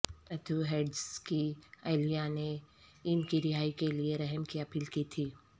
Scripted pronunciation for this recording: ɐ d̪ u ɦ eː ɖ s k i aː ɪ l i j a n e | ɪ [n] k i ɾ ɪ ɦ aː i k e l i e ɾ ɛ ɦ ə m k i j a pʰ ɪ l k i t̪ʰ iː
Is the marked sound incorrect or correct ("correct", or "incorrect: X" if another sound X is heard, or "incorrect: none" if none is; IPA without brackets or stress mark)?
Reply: correct